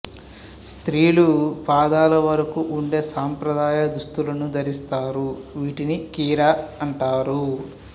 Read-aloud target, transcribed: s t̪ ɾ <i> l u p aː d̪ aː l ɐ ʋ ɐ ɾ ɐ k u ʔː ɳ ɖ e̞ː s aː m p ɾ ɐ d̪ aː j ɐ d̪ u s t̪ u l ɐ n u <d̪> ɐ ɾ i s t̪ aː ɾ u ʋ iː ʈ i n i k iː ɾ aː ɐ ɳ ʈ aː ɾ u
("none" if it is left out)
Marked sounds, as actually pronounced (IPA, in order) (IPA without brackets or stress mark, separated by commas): iː, d̪